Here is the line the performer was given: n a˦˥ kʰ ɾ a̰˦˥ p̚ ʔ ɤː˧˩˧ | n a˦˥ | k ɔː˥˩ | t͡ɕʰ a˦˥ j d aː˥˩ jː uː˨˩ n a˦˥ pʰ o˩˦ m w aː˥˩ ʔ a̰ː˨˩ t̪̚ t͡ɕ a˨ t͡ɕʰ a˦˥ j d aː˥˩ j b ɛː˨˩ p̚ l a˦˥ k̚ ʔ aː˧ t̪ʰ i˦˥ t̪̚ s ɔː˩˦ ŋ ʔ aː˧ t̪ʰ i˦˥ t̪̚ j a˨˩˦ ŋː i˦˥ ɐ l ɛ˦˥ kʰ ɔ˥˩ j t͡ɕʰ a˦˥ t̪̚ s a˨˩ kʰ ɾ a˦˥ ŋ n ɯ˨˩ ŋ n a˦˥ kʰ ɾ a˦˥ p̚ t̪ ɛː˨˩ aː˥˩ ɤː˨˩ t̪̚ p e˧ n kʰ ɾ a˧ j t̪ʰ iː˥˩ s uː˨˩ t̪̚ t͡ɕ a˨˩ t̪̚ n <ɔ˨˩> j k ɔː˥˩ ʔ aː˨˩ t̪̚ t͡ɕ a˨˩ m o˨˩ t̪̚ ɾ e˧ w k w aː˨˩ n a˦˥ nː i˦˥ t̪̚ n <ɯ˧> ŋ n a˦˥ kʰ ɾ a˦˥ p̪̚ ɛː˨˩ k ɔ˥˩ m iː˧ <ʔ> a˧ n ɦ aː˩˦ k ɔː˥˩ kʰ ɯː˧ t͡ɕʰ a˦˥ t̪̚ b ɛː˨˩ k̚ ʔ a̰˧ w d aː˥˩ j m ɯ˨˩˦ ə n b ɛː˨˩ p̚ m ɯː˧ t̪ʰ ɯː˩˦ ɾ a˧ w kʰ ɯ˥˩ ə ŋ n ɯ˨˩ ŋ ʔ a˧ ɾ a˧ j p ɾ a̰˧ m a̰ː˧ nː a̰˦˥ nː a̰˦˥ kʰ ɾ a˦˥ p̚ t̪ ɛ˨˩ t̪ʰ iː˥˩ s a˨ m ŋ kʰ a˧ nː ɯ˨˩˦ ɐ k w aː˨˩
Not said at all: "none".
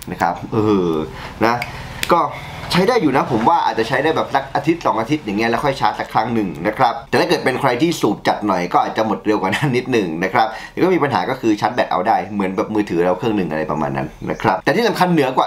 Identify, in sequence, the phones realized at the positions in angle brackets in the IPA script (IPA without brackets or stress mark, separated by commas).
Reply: ɔ˨˩, ɯ˨˩, p